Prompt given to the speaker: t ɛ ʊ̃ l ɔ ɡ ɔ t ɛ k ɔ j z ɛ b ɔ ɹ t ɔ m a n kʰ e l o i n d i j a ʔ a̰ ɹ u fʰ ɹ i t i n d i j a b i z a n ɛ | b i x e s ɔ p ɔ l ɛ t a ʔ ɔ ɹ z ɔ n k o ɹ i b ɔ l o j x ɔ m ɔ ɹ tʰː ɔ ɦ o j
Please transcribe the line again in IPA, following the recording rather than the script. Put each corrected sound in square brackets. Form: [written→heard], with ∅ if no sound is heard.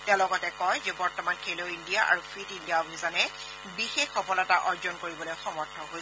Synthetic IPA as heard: t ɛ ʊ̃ l ɔ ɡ ɔ t ɛ k ɔ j z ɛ b ɔ ɹ t ɔ m a n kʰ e l o i n d i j a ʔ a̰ ɹ u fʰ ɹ i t i n d i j a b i z a n ɛ | b i x e [s→x] ɔ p ɔ l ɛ t a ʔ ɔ ɹ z ɔ n k o ɹ i b ɔ l o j x ɔ m ɔ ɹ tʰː ɔ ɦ o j